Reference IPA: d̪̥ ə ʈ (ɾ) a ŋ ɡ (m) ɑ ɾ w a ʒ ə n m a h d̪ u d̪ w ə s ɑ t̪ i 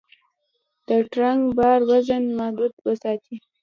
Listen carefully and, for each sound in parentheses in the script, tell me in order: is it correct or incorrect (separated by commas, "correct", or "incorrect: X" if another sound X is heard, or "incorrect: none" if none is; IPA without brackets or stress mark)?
correct, incorrect: b